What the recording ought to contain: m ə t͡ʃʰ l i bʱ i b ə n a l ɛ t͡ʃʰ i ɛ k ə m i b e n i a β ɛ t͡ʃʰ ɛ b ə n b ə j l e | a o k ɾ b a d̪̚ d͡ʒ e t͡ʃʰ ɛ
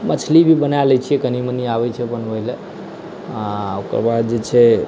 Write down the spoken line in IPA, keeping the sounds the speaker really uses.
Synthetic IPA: m ə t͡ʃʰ l i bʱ i b ə n a l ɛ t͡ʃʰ i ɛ k ə n i m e n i a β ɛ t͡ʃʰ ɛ b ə n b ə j l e | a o k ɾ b a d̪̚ d͡ʒ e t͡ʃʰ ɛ

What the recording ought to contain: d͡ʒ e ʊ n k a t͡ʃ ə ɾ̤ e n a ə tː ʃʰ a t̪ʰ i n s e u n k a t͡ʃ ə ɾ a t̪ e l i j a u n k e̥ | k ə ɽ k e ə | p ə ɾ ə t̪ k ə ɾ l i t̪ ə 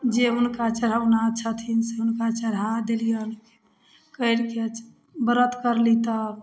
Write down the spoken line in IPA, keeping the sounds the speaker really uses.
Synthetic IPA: d͡ʒ e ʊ n k a t͡ʃ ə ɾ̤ a n a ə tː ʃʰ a t̪ʰ i n s e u n k a t͡ʃ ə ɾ a d̪ e l i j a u n k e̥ | k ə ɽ k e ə | b ə ɾ ə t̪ k ə ɾ l i t̪ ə

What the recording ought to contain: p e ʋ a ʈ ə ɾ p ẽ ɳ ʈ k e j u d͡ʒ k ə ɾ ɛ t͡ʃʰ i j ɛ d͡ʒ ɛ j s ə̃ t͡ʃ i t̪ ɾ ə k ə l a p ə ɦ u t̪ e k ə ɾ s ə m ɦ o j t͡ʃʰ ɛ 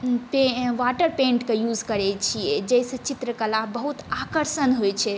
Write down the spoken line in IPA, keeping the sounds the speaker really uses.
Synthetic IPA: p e ʋ a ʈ ə ɾ p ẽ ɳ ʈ k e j u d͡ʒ k ə ɾ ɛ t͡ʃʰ i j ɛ d͡ʒ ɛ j s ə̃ t͡ʃ i t̪ ɾ ə k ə l a b ə ɦ u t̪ a k ə ɾ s ə n ɦ o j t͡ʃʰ ɛ

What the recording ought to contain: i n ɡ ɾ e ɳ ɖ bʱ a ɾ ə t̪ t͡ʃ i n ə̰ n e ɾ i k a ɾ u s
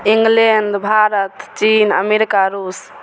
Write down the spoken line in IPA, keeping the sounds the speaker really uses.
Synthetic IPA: i ŋ ɡ l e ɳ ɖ bʱ a ɾ ə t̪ t͡ʃ i n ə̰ m e ɾ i k a ɾ u s

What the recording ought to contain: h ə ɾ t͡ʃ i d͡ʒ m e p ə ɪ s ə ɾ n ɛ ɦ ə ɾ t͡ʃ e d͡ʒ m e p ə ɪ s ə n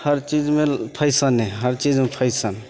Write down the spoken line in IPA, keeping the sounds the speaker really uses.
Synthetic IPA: h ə ɾ t͡ʃ i d͡ʒ m e pʰ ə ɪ s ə n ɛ ɦ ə ɾ t͡ʃ i d͡ʒ m e pʰ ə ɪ s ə n

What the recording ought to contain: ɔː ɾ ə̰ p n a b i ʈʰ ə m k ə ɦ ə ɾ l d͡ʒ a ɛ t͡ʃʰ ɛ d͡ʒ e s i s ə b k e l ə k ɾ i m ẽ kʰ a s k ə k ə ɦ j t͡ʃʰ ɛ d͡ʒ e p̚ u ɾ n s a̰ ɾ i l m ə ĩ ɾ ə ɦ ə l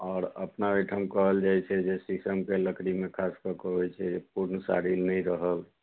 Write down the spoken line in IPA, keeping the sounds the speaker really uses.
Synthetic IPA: ɔː ɾ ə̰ p n a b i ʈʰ ə m k ə ɦ ə l d͡ʒ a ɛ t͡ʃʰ ɛ d͡ʒ e s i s ə m k e l ə k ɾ i m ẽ kʰ a s k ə k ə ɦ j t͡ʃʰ ɛ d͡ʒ e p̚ u ɾ n s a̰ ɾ i l n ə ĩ ɾ ə ɦ ə l

